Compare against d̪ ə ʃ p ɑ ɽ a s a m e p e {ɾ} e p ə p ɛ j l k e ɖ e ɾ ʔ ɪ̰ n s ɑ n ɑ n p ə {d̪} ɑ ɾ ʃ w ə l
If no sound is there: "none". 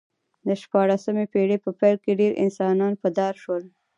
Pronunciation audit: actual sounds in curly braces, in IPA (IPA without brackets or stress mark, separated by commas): ɽ, d̪